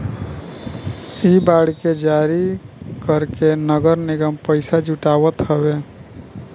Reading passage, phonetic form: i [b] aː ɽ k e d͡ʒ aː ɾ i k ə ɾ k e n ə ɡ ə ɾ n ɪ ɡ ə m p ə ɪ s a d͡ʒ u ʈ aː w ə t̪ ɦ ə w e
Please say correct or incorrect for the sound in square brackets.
correct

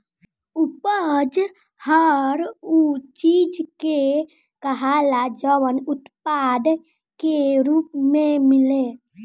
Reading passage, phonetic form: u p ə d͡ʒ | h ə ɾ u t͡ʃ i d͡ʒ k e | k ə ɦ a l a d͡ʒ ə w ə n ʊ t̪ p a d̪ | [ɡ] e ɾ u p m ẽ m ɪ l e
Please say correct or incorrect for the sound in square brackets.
incorrect: k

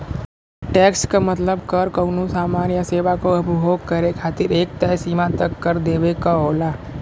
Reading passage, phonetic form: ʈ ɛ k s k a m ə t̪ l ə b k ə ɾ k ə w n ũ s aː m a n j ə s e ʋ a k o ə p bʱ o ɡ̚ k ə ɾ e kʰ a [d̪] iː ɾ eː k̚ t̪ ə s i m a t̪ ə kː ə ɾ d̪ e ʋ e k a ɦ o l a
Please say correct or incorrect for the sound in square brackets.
incorrect: t̪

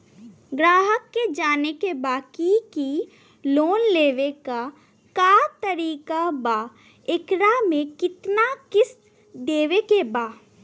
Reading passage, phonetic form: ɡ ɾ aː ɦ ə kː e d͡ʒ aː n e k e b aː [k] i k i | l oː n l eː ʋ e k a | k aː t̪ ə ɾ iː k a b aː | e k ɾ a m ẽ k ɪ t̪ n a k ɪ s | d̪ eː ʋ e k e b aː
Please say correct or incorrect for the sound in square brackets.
correct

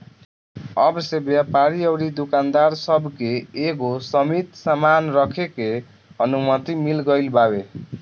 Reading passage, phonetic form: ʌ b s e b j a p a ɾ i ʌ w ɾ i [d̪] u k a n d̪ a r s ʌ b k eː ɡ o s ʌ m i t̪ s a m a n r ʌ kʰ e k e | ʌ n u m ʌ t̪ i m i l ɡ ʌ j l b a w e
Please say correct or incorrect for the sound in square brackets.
correct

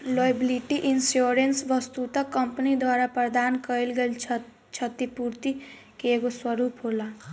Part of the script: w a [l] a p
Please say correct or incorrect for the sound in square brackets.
incorrect: ɾ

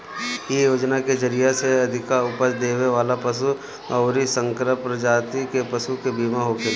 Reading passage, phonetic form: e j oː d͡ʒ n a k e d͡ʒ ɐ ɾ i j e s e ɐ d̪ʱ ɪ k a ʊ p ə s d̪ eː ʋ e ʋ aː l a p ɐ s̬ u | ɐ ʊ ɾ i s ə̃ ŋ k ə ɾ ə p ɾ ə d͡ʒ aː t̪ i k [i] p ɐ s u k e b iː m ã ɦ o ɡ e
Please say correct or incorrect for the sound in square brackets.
incorrect: e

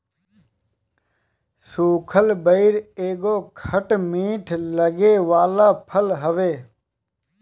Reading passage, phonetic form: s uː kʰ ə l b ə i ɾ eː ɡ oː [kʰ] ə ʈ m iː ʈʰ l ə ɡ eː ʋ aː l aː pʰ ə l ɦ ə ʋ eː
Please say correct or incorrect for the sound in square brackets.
correct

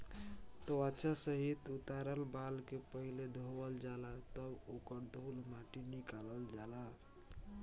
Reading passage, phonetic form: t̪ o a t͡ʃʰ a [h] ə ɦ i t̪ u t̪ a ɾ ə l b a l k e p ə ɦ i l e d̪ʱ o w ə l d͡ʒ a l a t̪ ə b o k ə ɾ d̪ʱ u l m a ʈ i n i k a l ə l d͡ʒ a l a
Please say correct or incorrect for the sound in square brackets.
incorrect: s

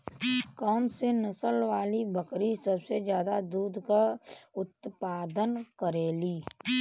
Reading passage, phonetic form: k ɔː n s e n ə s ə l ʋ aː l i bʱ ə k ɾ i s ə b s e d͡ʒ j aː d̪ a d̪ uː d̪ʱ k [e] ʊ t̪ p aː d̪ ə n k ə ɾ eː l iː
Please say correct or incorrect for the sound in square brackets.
incorrect: a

